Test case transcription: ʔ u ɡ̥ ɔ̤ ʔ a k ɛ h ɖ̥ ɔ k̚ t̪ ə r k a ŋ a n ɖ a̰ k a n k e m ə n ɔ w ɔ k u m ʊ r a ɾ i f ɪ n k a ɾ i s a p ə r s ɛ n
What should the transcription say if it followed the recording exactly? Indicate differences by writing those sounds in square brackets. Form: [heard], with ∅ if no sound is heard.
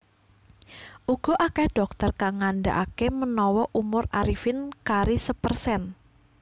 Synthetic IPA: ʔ u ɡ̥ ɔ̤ ʔ a k ɛ h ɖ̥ ɔ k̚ t̪ ə r k a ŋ a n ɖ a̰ [ʔ] a [∅] k e m ə n ɔ w ɔ [ʔ] u m ʊ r a ɾ i f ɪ n k a ɾ i s [ə] p ə r s ɛ n